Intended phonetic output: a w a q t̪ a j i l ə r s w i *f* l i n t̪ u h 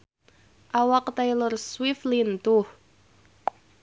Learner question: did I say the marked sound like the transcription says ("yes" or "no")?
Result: yes